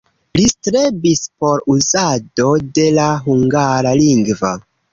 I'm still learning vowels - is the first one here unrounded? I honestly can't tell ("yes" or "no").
yes